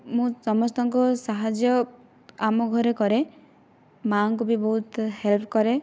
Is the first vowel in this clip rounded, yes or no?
yes